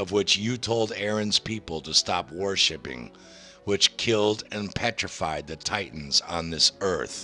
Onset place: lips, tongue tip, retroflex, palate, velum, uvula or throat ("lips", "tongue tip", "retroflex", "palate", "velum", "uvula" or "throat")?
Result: lips